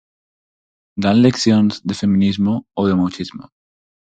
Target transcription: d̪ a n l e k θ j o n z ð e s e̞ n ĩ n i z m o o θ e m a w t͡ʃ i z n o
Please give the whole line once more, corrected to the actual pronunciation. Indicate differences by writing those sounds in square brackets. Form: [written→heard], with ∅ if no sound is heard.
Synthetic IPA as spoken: d̪ a n l e k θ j o n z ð e [s→f] e̞ [n→m] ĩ n i z m o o [θ→ð] e m a w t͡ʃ i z [n→m] o